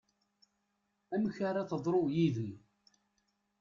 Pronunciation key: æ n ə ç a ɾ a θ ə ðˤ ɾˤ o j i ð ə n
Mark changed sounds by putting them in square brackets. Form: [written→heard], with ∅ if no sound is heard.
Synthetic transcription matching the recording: æ [n→m] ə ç a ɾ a θ ə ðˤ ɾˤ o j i ð ə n